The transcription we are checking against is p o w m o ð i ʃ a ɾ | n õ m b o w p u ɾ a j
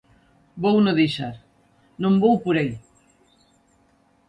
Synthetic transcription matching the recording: b o w n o ð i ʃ a ɾ | n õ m b o w p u ɾ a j